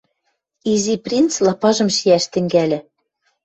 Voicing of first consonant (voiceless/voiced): voiced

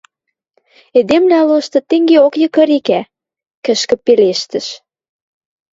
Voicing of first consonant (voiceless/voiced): voiced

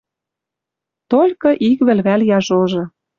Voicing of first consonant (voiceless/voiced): voiceless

